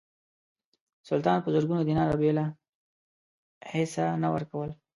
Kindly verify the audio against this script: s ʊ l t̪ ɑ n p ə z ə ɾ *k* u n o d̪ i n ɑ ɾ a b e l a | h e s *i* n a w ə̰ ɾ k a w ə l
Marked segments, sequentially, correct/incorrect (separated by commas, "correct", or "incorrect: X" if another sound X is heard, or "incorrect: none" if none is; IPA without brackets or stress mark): incorrect: ɡ, incorrect: a